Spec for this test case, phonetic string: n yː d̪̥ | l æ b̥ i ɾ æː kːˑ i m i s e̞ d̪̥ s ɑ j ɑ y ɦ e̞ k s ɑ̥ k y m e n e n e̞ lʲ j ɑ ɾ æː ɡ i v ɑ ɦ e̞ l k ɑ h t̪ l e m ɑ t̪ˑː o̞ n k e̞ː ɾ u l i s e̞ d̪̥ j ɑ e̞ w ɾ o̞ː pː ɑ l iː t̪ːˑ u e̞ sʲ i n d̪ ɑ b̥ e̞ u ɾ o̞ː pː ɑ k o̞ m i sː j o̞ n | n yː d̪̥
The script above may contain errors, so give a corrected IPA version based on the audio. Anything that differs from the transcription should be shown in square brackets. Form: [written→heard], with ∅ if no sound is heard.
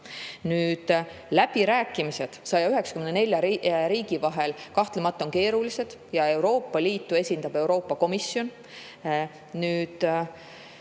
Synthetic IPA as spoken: n yː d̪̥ | l æ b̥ i ɾ æː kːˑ i m i s e̞ d̪̥ s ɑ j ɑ y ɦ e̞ k s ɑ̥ k y m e n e n e̞ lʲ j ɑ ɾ [æː→iː] ɡ i v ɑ ɦ e̞ l k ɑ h t̪ l e m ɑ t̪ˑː o̞ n k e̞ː ɾ u l i s e̞ d̪̥ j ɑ e̞ w ɾ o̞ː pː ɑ l iː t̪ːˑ u e̞ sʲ i n d̪ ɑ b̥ e̞ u ɾ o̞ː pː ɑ k o̞ m i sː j o̞ n | n yː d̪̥